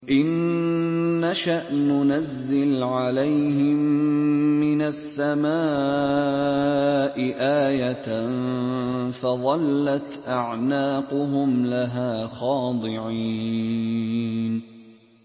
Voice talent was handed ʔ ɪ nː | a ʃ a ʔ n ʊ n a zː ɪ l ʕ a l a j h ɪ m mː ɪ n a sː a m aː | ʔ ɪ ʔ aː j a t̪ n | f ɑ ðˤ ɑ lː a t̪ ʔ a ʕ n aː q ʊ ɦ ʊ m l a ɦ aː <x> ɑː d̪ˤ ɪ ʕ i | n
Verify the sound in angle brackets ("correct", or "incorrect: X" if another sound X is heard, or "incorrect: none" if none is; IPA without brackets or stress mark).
correct